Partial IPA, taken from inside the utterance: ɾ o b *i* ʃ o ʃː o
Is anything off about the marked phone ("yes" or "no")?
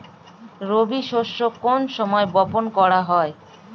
no